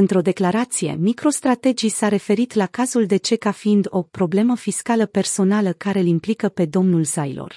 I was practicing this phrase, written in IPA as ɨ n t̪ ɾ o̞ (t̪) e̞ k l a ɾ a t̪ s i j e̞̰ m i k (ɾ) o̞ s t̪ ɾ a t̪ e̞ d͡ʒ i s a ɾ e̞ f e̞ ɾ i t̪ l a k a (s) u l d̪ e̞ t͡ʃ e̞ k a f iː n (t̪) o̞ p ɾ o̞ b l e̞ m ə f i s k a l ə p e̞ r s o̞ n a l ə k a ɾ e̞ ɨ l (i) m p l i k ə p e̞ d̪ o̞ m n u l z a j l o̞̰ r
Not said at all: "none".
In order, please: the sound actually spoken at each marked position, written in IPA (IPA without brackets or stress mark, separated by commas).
d̪, ɾ, z, d̪, i